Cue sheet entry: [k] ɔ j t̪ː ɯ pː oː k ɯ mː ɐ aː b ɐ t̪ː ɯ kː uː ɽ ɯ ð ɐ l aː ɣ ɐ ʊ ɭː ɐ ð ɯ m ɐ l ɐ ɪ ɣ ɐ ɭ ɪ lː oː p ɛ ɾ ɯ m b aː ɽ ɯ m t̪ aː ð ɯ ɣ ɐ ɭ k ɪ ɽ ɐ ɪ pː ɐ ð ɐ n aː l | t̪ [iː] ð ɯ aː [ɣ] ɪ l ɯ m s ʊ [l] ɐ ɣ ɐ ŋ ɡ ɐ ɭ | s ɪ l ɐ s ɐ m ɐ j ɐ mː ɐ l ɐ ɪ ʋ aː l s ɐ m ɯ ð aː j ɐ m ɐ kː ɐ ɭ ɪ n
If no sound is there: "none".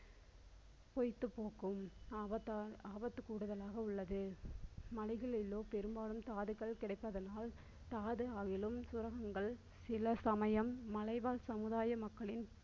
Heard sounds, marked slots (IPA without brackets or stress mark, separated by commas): p, aː, ɣ, ɾ